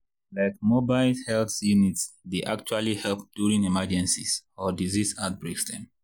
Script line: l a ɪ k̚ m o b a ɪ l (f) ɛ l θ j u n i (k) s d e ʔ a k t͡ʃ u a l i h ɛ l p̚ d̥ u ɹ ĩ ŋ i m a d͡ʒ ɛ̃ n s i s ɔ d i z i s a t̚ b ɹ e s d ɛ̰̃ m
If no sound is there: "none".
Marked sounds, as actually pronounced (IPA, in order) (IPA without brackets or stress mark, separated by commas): h, t